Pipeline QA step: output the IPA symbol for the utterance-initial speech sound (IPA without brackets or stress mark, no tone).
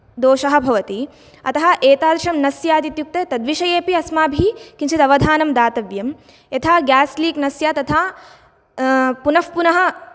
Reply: d̪